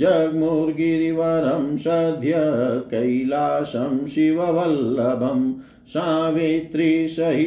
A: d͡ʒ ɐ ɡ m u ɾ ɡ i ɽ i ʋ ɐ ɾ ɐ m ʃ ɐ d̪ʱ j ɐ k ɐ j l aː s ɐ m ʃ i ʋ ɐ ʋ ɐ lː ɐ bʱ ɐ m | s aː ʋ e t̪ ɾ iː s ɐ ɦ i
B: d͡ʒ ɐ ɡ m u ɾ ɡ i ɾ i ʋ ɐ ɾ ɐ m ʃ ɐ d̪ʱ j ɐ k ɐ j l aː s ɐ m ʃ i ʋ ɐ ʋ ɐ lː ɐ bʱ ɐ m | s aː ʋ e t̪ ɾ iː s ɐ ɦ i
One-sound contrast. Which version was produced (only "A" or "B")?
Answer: B